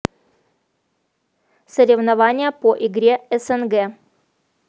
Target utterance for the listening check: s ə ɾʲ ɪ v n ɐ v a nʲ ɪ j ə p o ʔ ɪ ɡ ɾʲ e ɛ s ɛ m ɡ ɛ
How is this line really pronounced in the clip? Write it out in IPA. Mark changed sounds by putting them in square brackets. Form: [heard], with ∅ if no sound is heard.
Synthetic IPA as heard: s ə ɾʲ ɪ v n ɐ v a nʲ ɪ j ə p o ʔ ɪ ɡ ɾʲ e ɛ s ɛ [n] ɡ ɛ